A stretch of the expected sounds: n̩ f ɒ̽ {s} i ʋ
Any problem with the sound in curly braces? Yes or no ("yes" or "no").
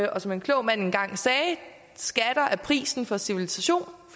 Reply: no